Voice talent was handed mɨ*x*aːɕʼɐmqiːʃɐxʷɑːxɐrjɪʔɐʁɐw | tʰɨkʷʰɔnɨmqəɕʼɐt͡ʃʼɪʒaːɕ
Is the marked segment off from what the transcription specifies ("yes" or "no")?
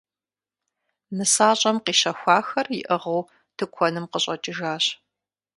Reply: yes